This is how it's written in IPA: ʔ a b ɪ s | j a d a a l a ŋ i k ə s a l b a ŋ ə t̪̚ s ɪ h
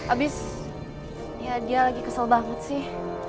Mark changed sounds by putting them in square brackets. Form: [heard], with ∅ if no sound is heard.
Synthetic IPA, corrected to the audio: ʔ a b ɪ s | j a d [i] a l a [ɡ] i k ə s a l b a ŋ ə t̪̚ s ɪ h